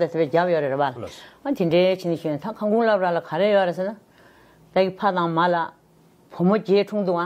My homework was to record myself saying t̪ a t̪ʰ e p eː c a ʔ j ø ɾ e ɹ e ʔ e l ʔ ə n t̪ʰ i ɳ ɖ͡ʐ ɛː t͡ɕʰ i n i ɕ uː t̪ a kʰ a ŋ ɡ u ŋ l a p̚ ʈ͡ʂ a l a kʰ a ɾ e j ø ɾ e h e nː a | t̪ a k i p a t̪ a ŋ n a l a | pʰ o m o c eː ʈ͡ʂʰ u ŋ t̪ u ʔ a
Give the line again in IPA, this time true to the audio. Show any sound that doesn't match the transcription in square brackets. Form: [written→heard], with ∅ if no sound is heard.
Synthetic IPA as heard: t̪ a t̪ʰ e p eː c a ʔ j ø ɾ e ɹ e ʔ [e→a] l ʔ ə n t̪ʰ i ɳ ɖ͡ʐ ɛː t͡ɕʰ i n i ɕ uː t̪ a kʰ a ŋ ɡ u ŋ l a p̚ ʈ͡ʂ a l a kʰ a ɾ e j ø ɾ e [h→s] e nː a | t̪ a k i [p→pʰ] a t̪ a ŋ [n→m] a l a | pʰ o m o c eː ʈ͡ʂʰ u ŋ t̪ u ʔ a